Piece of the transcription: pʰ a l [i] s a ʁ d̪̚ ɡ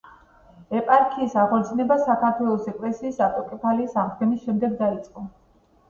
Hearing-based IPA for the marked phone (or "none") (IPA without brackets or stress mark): iː